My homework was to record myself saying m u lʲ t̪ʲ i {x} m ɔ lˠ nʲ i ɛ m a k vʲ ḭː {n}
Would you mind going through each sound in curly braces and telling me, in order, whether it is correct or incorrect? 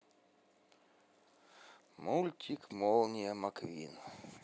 incorrect: k, correct

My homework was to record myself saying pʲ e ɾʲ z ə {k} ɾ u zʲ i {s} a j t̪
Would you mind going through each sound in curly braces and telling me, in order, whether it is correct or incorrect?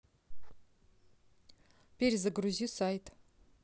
incorrect: ɡ, correct

